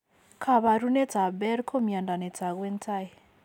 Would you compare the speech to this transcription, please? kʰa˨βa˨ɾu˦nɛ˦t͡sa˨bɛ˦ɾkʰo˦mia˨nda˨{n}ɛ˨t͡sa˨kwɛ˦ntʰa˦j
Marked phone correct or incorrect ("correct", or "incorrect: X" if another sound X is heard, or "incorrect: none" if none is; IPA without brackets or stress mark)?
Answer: correct